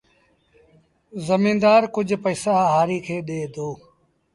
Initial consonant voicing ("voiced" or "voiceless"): voiced